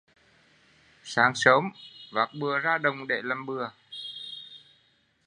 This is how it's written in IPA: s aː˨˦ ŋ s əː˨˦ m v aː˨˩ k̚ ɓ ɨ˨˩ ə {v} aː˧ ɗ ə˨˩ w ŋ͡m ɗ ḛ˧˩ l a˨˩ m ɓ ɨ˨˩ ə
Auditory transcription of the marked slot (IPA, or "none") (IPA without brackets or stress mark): z